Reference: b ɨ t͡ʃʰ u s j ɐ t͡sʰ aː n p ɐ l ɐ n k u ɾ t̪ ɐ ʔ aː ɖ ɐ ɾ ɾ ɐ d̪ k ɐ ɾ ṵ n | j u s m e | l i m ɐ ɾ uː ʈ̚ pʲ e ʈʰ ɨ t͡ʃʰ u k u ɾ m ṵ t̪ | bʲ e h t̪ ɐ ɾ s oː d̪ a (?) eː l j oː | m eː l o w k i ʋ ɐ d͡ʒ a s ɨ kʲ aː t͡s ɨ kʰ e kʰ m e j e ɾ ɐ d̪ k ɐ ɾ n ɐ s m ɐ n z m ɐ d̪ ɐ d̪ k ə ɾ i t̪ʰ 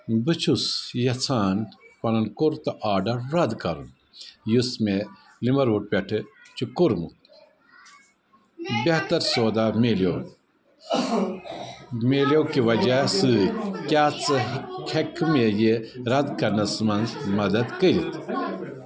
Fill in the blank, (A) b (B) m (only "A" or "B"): B